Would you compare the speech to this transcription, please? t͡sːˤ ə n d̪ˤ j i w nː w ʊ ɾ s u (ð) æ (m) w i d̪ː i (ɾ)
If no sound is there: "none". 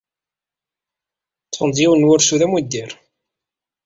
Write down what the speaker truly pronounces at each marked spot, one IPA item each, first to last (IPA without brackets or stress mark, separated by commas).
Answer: ð, m, ɾ